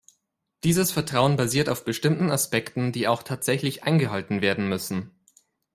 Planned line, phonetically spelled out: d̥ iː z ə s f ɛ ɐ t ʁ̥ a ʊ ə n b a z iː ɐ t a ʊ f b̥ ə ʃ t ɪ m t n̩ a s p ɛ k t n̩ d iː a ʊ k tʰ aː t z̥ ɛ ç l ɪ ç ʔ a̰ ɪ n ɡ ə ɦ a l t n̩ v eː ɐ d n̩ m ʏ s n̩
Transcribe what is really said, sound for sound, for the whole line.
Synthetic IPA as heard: d̥ iː z ə s f ɛ ɐ t ʁ̥ a ʊ ə n b a z iː ɐ t a ʊ f b̥ ə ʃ t ɪ m t n̩ a s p ɛ k t n̩ d iː a ʊ x tʰ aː t z̥ ɛ ç l ɪ ç ʔ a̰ ɪ n ɡ ə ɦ a l t n̩ v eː ɐ d n̩ m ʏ s n̩